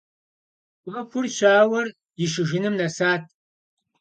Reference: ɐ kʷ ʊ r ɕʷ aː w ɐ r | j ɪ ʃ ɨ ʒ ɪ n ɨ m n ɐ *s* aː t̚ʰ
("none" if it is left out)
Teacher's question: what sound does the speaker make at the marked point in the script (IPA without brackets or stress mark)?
s